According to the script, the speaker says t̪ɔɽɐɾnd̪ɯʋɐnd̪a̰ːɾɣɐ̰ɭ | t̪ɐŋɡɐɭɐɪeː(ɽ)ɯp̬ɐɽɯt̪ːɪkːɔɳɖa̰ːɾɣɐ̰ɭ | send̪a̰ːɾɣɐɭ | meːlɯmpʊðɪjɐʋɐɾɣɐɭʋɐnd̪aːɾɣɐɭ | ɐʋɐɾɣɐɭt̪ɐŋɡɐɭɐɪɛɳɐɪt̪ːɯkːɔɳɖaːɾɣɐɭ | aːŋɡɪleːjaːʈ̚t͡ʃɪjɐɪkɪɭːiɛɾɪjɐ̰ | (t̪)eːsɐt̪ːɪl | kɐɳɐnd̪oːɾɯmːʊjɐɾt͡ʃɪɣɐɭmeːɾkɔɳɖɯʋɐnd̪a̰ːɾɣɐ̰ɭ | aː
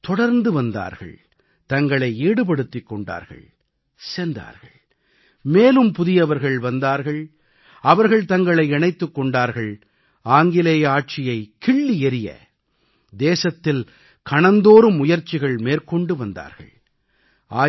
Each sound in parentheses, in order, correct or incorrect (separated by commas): correct, incorrect